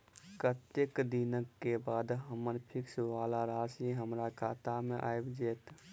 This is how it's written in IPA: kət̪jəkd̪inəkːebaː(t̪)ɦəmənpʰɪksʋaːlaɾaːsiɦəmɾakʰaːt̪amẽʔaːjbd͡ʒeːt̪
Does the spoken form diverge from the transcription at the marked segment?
yes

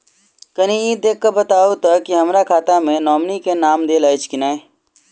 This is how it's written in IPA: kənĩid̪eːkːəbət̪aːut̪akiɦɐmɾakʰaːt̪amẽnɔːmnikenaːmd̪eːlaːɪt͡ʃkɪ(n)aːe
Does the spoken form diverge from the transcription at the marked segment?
no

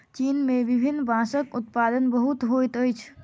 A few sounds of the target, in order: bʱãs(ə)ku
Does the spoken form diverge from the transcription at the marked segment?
no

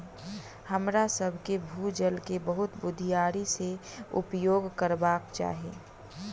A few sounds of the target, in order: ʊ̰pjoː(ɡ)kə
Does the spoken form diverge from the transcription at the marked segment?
no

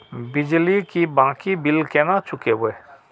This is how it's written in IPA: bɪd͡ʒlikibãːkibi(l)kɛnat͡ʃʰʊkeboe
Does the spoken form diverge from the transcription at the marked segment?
no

